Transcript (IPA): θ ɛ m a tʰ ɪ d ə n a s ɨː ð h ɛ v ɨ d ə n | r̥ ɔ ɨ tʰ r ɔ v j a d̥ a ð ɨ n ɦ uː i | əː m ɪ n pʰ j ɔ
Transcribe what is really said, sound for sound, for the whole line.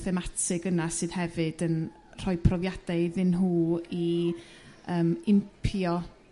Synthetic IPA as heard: θ ɛ m a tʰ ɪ ɡ ə n a s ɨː ð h ɛ v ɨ d ə n | r̥ ɔ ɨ pʰ r ɔ v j a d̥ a ð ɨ n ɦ uː i | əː m ɪ m pʰ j ɔ